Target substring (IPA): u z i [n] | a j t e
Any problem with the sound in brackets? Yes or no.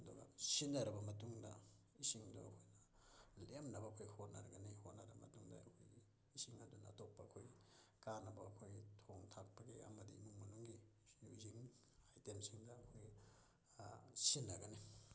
yes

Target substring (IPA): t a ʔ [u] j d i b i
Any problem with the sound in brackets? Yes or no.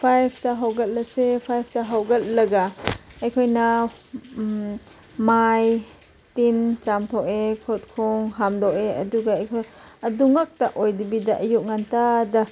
yes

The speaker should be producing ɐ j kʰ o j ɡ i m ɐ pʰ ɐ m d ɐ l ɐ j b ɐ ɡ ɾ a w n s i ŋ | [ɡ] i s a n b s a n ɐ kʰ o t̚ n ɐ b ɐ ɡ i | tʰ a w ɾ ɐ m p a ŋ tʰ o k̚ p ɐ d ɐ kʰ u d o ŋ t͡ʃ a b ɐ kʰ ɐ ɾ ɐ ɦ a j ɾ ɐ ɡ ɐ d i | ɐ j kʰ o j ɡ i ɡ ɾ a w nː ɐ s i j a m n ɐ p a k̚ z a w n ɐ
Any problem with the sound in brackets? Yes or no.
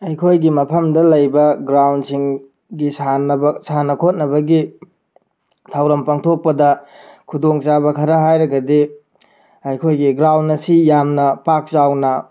no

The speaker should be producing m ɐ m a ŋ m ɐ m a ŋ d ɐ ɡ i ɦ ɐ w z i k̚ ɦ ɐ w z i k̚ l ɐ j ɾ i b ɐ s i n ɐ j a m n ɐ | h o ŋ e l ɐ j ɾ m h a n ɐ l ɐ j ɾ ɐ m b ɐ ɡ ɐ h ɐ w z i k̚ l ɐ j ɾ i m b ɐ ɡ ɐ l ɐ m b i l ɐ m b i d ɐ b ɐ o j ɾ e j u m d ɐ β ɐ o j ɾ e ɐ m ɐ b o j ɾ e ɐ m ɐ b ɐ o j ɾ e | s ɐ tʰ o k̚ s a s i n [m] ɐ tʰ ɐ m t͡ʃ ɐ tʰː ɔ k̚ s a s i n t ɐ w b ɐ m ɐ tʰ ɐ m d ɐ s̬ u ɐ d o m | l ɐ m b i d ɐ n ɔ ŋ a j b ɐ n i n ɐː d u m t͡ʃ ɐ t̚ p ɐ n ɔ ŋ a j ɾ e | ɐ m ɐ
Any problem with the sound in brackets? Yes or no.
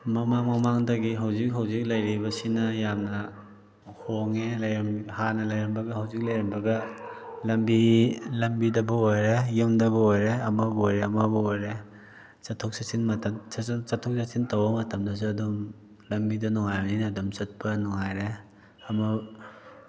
no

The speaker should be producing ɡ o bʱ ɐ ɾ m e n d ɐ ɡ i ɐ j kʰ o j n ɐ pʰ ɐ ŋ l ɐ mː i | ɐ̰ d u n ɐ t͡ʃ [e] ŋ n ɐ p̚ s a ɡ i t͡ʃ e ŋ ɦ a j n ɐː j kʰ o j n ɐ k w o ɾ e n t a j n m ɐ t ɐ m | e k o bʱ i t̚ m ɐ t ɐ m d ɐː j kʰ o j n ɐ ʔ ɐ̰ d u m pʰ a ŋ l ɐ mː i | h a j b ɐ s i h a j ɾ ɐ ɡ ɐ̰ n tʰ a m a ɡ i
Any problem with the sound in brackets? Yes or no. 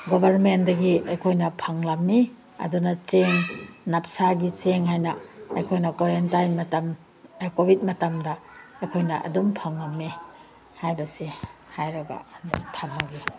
no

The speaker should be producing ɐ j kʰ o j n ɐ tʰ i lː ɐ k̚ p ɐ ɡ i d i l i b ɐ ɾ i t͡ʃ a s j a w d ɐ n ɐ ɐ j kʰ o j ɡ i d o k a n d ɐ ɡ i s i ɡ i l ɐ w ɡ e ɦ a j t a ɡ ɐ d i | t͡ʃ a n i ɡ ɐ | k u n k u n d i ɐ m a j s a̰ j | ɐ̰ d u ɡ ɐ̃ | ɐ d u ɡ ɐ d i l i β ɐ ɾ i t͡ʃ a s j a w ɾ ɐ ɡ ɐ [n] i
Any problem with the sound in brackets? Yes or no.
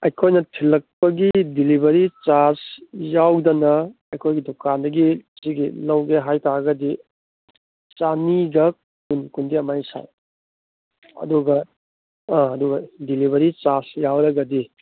yes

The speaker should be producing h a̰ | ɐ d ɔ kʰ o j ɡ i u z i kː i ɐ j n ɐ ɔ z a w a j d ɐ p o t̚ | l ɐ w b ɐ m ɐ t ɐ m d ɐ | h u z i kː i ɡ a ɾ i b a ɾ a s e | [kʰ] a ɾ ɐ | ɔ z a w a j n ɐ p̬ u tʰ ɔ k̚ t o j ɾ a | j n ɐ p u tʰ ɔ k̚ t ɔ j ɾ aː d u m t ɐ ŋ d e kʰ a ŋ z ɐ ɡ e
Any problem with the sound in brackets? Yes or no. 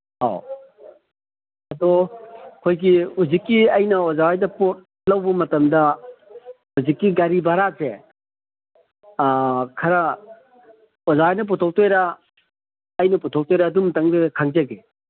no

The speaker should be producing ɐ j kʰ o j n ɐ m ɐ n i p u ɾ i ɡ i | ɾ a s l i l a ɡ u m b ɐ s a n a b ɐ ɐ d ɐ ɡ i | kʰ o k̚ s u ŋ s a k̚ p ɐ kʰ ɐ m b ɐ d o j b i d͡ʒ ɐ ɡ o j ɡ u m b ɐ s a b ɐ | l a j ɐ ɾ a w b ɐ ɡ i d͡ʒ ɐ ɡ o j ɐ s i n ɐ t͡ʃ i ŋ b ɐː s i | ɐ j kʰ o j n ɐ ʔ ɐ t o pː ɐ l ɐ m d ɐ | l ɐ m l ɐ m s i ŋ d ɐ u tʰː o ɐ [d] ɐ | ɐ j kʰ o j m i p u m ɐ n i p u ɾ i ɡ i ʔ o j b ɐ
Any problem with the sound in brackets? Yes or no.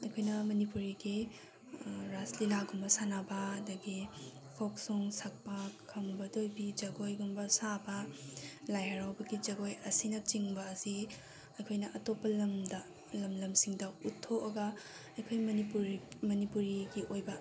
yes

